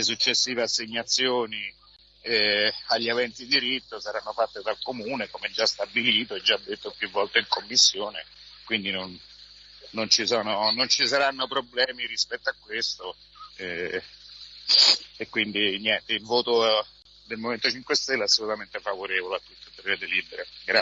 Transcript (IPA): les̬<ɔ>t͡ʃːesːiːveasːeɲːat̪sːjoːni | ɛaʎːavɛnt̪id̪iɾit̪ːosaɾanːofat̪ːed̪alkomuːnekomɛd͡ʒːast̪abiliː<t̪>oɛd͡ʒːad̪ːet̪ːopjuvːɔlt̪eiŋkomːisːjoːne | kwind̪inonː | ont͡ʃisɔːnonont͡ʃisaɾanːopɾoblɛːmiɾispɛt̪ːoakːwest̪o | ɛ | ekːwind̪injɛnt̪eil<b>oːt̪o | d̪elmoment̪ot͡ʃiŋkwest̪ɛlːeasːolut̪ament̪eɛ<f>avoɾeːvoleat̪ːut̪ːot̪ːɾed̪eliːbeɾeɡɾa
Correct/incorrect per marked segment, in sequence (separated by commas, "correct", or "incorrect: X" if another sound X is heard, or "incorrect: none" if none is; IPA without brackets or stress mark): incorrect: u, correct, incorrect: v, correct